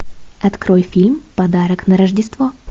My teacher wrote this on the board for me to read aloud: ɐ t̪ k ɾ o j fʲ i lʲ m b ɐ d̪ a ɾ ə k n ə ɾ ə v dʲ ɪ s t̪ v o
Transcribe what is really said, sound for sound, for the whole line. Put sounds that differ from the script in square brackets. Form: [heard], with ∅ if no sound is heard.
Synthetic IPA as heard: ɐ t̪ k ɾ o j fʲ i lʲ m [p] ɐ d̪ a ɾ ə k n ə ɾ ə [ʐ] dʲ ɪ s t̪ v o